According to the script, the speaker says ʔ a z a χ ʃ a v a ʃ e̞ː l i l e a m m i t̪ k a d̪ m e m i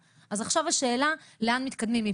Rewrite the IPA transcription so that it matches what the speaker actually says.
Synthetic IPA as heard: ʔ a z a χ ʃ a v a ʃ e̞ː l a l e a n m i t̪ k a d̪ m i m i